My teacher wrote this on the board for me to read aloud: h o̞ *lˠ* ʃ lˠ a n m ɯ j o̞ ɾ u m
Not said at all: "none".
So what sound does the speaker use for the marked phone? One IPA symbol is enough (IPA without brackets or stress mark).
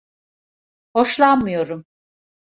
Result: none